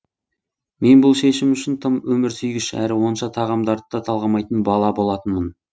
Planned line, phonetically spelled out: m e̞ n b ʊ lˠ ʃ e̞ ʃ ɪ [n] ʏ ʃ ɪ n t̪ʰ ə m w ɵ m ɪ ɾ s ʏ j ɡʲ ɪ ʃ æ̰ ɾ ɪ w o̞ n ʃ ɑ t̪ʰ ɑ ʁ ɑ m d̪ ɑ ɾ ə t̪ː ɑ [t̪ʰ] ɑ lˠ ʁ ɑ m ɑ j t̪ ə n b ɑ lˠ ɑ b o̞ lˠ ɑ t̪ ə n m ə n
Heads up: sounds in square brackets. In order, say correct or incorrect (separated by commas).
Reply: incorrect, correct